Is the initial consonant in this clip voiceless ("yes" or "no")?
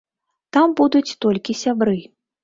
yes